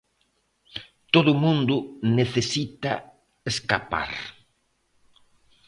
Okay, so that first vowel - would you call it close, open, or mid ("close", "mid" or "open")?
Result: mid